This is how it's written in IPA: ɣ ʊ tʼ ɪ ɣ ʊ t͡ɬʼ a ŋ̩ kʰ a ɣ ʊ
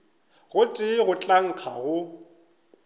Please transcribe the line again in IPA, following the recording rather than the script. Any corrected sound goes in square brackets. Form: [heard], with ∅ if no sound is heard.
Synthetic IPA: ɣ ʊ tʼ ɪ ɣ ʊ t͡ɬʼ a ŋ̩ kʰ a ɣ ʊ